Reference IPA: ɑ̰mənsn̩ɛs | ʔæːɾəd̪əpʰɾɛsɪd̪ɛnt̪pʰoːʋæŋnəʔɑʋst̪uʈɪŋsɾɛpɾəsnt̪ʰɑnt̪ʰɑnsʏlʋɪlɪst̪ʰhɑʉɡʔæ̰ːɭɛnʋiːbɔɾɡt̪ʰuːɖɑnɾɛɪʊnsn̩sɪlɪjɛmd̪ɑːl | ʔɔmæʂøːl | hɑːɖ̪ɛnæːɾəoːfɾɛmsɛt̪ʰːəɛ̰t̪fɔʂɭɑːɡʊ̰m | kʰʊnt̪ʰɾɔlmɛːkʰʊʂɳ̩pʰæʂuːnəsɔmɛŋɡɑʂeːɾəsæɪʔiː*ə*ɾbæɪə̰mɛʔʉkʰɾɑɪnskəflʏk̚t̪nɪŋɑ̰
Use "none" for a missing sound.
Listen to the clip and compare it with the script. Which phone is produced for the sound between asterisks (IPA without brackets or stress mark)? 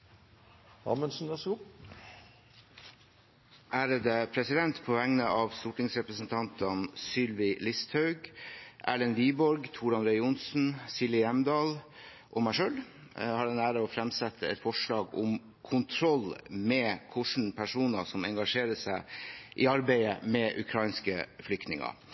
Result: ɑ